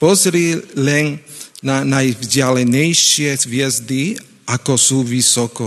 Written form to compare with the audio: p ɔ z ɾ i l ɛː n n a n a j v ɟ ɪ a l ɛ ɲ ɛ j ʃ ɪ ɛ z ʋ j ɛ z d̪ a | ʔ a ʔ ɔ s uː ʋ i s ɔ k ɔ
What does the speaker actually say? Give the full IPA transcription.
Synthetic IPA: p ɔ z ɾ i l ɛ n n a n a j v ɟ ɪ a l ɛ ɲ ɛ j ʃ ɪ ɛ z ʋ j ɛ z d̪ i | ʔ a k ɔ s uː ʋ i s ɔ k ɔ